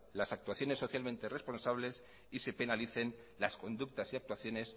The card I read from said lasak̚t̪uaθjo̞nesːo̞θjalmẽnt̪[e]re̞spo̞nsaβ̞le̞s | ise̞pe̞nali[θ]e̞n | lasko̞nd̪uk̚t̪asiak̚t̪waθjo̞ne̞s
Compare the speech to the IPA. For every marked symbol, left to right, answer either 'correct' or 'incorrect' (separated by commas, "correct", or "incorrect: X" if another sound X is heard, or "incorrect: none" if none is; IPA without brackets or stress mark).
correct, correct